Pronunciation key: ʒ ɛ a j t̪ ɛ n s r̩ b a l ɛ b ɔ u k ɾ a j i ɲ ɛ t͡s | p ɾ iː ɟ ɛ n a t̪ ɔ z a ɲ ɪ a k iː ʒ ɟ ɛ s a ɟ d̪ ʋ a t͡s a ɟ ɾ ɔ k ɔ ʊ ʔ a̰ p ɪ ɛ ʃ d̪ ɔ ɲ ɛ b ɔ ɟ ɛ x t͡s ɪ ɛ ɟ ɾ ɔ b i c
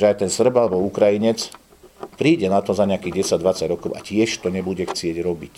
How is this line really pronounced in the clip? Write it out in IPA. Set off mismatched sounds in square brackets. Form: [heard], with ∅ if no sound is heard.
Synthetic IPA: ʒ ɛ a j t̪ ɛ n s r̩ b a l ɛ b ɔ u k ɾ a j i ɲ ɛ t͡s | p ɾ iː ɟ ɛ n a t̪ ɔ z a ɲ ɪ a k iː [ɣ] ɟ ɛ s a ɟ d̪ ʋ a t͡s a ɟ ɾ ɔ k ɔ ʊ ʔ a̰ [c] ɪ ɛ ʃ [t̪] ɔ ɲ ɛ b [u] ɟ ɛ x t͡s ɪ ɛ ɟ ɾ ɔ b i c